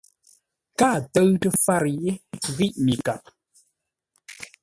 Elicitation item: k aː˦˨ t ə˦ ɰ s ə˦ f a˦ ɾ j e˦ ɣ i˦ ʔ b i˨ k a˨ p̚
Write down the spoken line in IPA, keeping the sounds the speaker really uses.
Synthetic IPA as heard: k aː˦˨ t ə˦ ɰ t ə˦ f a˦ ɾ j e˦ ɣ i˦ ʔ m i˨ k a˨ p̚